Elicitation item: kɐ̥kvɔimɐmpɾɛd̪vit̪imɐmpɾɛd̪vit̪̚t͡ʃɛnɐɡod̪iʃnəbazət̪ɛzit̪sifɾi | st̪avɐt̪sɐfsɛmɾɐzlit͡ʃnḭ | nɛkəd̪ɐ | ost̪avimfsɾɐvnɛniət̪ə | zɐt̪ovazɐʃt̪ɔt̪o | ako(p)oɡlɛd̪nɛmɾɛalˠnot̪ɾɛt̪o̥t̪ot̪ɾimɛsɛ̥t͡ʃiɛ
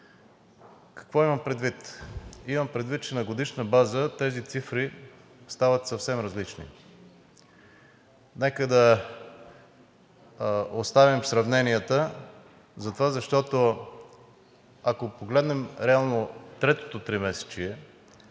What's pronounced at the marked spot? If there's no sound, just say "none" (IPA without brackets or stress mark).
p